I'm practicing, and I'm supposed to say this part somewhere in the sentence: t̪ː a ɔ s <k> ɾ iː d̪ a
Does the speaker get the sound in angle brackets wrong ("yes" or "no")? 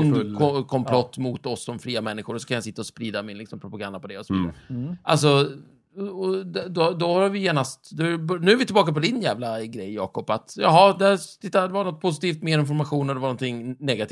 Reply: yes